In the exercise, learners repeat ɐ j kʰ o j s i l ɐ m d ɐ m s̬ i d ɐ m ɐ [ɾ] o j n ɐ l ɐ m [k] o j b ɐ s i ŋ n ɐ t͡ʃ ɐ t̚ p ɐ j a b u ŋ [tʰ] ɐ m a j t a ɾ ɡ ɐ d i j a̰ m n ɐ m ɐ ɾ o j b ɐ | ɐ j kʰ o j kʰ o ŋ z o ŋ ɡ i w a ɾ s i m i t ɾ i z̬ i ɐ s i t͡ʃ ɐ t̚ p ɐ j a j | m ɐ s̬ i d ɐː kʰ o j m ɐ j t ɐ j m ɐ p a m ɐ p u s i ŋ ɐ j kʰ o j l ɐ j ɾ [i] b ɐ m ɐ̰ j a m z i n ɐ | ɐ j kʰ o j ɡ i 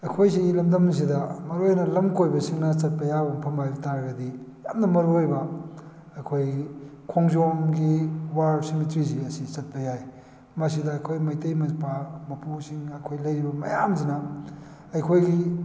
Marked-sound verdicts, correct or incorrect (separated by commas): correct, correct, incorrect, correct